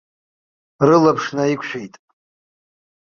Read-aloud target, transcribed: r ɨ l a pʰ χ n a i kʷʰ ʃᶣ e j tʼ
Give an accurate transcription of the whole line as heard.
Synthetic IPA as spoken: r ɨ l a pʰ ʂ n a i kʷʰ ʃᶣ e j tʼ